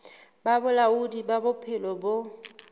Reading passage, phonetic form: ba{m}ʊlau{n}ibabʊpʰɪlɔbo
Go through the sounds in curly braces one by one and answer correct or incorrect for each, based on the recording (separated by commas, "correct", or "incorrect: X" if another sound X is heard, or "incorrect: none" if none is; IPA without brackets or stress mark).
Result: incorrect: b, incorrect: d